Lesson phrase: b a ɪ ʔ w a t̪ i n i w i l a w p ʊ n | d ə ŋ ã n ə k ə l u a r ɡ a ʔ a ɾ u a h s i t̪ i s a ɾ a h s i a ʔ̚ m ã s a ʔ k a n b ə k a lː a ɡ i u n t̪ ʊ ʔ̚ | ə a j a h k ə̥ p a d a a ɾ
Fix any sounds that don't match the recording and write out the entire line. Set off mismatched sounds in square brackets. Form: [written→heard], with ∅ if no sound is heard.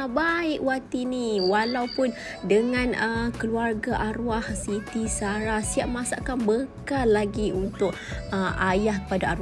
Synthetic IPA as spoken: b a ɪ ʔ w a t̪ i n i w [i→a] l a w p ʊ n | d ə ŋ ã n ə k ə l u a r ɡ a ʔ a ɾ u a h s i t̪ i s a ɾ a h s i a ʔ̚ m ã s a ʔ k a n b ə k a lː a ɡ i u n t̪ ʊ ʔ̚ | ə a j a h k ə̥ p a d a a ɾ